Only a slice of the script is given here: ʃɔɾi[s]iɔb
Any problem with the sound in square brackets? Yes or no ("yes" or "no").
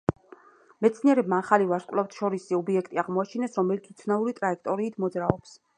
no